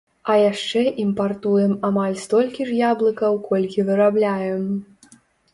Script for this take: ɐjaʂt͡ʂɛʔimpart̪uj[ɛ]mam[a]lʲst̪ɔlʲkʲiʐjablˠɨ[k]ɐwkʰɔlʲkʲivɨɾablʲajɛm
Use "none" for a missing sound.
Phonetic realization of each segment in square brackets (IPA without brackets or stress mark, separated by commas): ɛ, a, k